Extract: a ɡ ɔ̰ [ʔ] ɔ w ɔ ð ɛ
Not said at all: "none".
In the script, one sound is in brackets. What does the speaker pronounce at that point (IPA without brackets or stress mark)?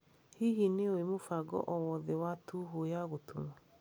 ʔ